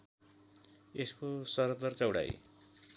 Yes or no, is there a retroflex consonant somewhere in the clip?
yes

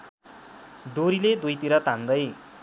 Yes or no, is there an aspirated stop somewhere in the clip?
no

